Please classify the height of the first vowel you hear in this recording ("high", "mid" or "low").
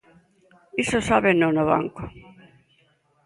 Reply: high